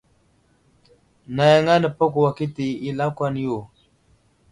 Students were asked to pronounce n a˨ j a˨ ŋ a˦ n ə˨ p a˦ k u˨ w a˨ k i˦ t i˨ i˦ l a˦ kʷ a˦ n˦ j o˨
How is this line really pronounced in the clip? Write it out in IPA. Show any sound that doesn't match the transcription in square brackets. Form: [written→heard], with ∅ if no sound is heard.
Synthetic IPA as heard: n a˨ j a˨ ŋ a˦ n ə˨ p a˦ k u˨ w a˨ k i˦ t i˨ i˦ l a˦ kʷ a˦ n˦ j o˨

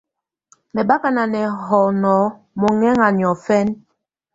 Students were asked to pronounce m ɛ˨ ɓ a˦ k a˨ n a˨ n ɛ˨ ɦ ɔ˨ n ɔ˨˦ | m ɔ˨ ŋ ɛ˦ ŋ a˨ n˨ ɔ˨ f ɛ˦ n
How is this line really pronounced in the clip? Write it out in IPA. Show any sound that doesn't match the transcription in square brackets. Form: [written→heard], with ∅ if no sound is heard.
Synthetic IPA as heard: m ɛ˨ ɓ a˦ k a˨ n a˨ n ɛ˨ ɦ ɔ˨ n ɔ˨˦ | m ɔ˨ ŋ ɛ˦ ŋ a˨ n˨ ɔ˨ f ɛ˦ n

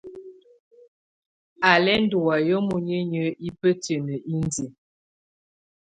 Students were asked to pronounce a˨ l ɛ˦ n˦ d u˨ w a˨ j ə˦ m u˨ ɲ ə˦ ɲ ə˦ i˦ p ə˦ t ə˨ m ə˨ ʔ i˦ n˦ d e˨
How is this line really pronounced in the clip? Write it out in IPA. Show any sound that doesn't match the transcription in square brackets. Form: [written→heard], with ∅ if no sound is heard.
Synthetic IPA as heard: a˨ l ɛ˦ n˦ d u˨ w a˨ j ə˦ m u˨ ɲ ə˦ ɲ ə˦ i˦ p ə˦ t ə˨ [m→n] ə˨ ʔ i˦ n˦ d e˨

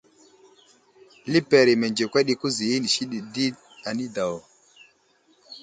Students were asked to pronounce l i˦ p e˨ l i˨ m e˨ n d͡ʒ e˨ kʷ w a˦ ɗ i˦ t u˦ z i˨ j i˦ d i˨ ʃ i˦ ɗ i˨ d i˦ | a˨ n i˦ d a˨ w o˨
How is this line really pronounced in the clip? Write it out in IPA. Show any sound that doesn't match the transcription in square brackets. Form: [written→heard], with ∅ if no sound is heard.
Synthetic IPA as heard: l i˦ p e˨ [l→ɾ] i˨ m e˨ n d͡ʒ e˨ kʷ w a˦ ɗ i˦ [t→k] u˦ z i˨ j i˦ [d→n] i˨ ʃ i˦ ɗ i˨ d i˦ | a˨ n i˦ d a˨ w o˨

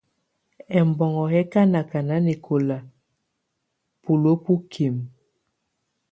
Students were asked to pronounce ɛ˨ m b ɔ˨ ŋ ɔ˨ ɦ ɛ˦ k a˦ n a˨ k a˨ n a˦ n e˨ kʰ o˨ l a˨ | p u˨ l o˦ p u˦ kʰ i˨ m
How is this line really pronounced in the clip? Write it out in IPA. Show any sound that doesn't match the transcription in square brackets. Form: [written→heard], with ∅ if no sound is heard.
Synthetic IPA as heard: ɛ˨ m b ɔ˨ ŋ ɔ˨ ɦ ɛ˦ k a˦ n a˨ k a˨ n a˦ n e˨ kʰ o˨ l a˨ | p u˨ l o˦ p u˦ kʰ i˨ m

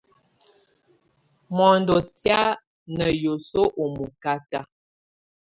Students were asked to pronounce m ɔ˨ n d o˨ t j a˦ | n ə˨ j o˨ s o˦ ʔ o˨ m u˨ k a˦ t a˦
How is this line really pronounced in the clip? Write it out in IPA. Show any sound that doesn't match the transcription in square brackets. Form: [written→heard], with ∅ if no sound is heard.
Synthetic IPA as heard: m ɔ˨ n d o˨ t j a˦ | n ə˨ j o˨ s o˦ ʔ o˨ m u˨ k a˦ t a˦

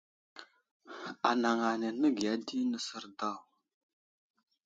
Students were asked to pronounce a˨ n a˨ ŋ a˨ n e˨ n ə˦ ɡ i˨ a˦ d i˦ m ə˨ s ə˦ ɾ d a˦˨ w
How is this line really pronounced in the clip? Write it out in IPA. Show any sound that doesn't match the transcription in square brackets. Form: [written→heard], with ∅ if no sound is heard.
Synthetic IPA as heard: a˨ n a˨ ŋ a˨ n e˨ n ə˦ ɡ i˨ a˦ d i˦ [m→n] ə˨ s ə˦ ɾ d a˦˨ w

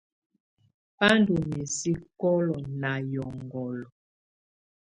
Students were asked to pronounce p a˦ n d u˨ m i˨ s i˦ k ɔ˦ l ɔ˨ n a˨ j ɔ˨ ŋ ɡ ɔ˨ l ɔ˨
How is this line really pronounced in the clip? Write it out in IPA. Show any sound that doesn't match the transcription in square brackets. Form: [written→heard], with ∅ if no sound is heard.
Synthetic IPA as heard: p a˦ n d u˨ m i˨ s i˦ k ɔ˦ l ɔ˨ n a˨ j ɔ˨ ŋ ɡ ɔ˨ l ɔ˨

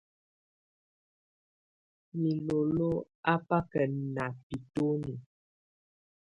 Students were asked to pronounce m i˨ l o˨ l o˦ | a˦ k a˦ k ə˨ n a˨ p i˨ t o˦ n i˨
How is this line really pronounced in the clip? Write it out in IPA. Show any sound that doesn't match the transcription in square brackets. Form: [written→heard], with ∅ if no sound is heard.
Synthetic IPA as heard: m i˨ l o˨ l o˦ | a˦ [k→p] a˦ k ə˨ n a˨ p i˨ t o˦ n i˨

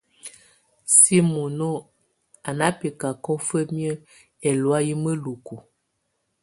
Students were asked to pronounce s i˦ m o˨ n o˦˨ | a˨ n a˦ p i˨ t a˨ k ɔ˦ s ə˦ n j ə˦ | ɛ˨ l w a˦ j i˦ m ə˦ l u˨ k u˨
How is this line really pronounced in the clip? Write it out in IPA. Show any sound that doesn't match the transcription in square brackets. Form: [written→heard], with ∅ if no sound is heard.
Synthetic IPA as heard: s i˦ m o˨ n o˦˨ | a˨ n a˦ p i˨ [t→k] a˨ k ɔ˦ [s→f] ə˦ [n→m] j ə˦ | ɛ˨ l w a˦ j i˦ m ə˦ l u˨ k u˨

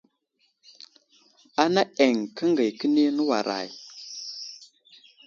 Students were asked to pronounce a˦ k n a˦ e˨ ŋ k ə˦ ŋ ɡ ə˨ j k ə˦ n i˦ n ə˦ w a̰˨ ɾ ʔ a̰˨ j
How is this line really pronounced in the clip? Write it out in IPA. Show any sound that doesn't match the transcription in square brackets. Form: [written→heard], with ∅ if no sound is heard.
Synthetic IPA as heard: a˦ [k→∅] n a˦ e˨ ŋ k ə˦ ŋ ɡ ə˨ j k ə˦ n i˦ n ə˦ w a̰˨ ɾ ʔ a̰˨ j

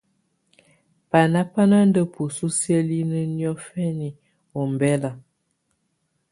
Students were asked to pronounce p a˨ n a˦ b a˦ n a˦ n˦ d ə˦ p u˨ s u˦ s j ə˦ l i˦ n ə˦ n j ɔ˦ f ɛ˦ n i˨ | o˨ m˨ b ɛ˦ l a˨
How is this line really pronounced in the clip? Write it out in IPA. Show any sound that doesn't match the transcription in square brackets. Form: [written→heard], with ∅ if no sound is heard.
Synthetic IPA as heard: p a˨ n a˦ [b→p] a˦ n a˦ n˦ d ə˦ p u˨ s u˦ s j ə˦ l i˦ n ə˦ n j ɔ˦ f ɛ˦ n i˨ | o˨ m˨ b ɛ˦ l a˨

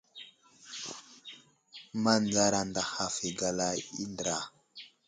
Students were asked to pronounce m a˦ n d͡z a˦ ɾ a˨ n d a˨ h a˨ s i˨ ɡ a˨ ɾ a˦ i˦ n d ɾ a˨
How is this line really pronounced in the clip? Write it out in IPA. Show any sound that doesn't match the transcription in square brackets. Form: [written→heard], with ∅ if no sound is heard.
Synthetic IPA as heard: m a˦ n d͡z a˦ ɾ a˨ n d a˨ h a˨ [s→f] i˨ ɡ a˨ [ɾ→l] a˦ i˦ n d ɾ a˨

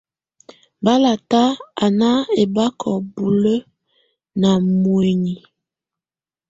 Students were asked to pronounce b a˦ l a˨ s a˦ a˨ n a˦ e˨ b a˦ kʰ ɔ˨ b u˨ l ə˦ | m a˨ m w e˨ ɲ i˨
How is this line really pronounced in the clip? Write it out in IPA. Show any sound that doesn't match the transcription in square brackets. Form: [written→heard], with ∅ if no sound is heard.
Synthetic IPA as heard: b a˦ l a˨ [s→t] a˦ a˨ n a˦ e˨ b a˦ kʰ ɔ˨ b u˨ l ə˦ | [m→n] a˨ m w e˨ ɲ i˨

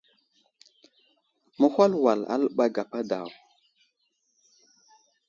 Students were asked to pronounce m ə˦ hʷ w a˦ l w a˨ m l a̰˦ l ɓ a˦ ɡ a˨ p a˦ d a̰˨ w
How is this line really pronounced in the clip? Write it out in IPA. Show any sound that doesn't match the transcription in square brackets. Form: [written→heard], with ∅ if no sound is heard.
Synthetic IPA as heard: m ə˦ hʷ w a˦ l w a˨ [m→∅] l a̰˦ l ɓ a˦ ɡ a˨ p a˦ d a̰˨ w

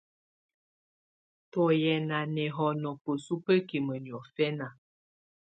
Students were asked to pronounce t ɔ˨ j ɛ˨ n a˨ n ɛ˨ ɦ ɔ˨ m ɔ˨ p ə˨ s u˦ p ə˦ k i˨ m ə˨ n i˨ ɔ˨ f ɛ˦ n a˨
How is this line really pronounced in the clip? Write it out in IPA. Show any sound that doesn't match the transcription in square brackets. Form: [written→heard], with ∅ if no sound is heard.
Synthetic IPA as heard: t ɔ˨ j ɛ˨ n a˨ n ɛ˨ ɦ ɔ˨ [m→n] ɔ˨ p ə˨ s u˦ p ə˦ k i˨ m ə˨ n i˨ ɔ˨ f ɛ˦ n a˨

